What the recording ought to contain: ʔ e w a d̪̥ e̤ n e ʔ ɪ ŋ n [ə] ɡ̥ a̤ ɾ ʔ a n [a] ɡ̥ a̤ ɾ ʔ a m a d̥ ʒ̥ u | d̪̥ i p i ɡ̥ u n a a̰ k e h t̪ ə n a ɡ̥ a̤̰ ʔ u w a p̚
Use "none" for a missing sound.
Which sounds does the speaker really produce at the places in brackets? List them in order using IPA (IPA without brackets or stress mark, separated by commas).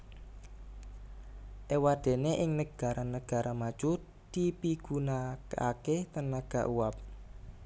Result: ə, ə